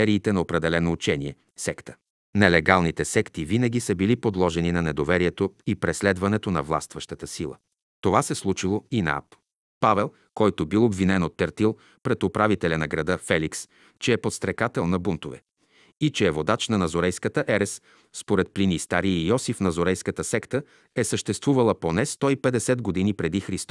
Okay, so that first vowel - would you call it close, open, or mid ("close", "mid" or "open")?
mid